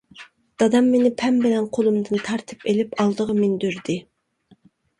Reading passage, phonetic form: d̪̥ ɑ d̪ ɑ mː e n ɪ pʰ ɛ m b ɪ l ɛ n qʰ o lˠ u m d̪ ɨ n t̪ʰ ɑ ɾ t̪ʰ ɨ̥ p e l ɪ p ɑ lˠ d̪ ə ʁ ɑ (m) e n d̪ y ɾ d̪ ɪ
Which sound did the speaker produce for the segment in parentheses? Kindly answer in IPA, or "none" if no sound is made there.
m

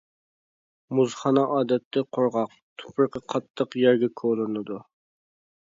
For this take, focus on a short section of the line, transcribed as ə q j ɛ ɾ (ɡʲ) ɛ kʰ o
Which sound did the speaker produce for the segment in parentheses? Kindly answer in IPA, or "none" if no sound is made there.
ɡʲ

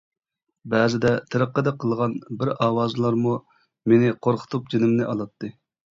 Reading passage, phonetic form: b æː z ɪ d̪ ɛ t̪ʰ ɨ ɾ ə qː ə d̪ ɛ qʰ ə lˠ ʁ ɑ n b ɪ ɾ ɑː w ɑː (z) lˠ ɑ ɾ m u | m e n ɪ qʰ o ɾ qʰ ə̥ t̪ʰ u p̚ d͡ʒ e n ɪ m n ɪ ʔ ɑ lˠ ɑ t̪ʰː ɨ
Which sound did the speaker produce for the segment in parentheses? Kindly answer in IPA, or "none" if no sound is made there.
z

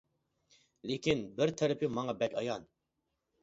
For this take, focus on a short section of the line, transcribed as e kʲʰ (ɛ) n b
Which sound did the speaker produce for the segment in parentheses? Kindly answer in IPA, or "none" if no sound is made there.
i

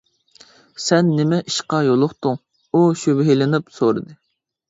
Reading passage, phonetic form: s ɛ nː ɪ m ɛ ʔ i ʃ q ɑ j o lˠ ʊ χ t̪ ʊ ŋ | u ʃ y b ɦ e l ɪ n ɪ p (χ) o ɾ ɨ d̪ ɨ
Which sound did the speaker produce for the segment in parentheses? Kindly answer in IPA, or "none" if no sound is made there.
s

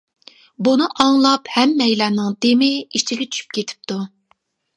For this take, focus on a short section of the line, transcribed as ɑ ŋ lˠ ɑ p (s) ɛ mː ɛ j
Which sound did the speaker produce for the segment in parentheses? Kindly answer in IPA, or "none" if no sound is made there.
h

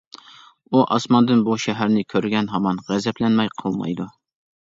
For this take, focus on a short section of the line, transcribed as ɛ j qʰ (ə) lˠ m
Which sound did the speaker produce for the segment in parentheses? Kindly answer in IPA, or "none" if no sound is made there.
ə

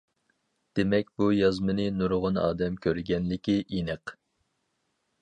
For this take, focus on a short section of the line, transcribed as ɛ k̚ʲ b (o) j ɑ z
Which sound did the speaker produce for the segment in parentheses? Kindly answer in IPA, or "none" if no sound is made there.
u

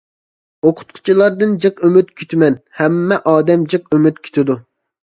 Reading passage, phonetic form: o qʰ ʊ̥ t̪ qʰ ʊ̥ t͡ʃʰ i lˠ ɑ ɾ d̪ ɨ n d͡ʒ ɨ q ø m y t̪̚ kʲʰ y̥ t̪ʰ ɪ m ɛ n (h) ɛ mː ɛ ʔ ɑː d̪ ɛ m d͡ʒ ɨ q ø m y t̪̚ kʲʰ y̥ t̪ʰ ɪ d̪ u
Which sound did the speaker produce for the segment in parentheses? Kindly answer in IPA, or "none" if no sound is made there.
h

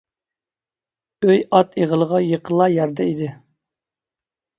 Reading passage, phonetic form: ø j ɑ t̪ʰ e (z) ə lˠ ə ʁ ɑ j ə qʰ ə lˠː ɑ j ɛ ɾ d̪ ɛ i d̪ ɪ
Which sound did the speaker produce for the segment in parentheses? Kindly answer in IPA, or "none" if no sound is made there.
ʁ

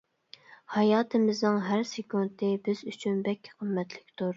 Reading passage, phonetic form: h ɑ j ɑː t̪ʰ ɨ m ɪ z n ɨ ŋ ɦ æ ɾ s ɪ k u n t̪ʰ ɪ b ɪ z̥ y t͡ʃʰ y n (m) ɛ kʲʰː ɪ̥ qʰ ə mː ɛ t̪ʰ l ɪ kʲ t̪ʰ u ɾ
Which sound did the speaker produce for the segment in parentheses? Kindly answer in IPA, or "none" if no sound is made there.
b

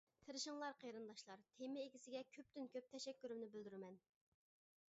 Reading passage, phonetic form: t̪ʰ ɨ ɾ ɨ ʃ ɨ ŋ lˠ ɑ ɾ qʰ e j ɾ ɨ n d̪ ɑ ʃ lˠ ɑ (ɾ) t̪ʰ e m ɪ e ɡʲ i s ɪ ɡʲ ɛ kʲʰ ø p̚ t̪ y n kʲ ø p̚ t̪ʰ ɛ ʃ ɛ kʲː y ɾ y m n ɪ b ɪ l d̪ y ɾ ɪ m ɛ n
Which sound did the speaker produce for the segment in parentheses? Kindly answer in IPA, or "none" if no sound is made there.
ɾ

